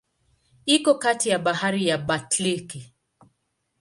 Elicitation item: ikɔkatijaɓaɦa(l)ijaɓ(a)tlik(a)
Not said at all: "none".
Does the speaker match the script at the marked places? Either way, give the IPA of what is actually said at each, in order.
ɾ, a, i

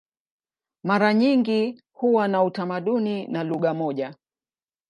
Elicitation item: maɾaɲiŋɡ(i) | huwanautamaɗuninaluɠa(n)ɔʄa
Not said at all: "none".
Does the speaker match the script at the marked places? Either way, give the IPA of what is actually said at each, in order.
i, m

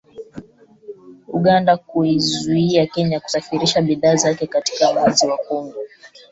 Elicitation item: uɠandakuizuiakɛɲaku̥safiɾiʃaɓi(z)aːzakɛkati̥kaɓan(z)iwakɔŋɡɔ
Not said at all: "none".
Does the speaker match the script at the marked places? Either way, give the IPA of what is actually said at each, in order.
ð, z

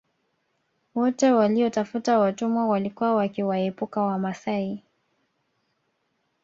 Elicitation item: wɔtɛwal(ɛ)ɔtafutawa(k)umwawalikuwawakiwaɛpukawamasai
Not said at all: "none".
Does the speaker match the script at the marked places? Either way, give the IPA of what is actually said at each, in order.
i, t

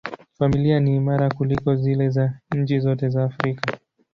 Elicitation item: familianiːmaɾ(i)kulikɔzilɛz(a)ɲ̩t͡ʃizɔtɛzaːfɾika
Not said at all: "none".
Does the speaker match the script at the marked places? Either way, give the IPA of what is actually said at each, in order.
a, a

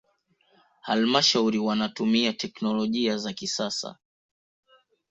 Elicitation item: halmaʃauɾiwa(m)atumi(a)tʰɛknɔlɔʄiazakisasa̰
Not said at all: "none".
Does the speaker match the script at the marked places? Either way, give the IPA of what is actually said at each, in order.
n, a

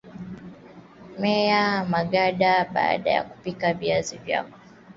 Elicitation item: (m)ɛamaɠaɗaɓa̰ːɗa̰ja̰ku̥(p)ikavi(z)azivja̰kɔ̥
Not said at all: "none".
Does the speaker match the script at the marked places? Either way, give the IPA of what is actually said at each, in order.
m, p, none

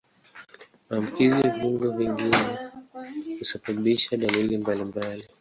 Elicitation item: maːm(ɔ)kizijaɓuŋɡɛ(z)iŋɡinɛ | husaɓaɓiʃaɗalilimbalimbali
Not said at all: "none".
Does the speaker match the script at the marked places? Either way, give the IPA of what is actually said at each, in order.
u, v

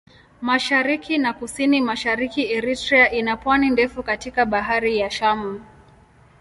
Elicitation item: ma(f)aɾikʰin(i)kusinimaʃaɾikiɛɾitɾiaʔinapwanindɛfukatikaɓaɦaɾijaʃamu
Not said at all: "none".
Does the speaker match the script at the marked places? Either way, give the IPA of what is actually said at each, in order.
ʃ, a

